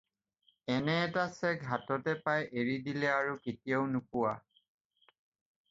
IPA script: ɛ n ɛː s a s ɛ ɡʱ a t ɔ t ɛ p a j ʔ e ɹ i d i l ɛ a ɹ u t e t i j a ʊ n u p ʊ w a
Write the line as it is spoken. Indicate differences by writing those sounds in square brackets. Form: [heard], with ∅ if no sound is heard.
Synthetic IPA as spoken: ɛ n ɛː [t] a s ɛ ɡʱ a t ɔ t ɛ p a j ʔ e ɹ i d i l ɛ a ɹ u [k] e t i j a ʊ n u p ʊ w a

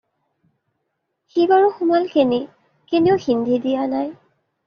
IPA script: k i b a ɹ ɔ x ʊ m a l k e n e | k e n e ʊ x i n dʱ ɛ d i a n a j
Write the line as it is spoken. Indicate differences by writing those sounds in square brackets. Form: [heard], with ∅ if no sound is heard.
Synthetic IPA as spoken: [x] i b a ɹ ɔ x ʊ m a l k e n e | k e n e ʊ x i n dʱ [i] d i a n a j

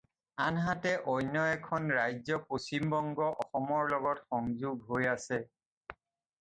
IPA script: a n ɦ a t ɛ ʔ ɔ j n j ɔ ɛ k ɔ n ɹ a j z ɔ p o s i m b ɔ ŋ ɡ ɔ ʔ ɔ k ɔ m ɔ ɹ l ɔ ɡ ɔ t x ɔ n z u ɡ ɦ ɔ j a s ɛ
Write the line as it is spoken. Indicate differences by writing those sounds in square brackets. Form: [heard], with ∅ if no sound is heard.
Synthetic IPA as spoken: a n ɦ a t ɛ ʔ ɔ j n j ɔ ɛ [kʰ] ɔ n ɹ a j z ɔ p o s i m b ɔ ŋ ɡ ɔ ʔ ɔ [x] ɔ m ɔ ɹ l ɔ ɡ ɔ t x ɔ [ŋ] z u ɡ ɦ [o] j a s ɛ

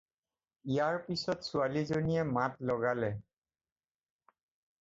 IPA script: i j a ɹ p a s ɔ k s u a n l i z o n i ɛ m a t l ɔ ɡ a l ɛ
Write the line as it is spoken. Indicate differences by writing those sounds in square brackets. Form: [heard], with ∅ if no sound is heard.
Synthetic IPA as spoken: i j a ɹ p [i] s ɔ [t] s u a [∅] l i z o n i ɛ m a t l ɔ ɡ a l ɛ

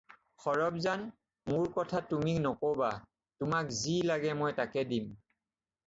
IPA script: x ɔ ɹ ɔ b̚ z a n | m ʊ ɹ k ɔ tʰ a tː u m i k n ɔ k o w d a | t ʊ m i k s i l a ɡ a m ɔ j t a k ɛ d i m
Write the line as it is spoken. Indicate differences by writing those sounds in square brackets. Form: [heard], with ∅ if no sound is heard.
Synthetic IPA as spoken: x ɔ ɹ ɔ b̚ z a n | m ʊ ɹ k ɔ tʰ a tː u m i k n ɔ k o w [b] a | t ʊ m [a] k [z] i l a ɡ [ɛ] m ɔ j t a k ɛ d i m

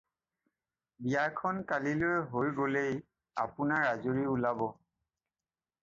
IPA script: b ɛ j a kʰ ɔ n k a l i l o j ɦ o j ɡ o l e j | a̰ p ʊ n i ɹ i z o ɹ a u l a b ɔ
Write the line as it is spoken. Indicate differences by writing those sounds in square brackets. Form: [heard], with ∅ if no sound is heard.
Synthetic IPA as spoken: b [i] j a kʰ ɔ n k a l i l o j ɦ o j ɡ o l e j | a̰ p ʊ n [a] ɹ [a] z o ɹ [i] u l a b ɔ

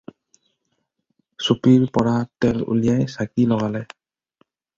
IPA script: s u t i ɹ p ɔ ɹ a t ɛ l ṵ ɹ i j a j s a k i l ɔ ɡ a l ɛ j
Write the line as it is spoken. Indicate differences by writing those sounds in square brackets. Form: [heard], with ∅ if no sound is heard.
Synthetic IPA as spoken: s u [p] i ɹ p ɔ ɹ a t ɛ l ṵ [l] i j a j s a k i l ɔ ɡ a l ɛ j

